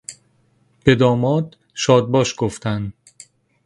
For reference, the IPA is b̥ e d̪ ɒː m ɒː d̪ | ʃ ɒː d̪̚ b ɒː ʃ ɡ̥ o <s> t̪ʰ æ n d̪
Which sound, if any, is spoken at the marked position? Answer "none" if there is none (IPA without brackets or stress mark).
f